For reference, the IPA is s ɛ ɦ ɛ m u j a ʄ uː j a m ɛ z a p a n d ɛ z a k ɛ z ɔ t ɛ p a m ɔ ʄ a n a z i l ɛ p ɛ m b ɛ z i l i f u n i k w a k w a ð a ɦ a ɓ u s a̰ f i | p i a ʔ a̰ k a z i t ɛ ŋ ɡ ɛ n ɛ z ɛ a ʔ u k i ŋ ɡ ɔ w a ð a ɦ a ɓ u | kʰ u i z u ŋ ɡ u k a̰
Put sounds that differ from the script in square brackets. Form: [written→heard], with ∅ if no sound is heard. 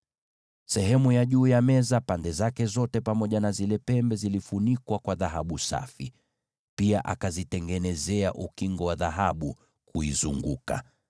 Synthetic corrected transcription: s ɛ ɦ ɛ m u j a ʄ uː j a m ɛ z a p a n d ɛ z a k ɛ z ɔ t ɛ p a m ɔ ʄ a n a z i l ɛ p ɛ m b ɛ z i l i f u n i k w a k w a ð a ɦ a ɓ u s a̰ f i | p i a ʔ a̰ k a z i t ɛ ŋ ɡ ɛ n ɛ z ɛ a ʔ u k i ŋ ɡ ɔ w a ð a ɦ a ɓ u | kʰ u i z u ŋ ɡ u k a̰